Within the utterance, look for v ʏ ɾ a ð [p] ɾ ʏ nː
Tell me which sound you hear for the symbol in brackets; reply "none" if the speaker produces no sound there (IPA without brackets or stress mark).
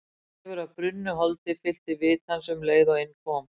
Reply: p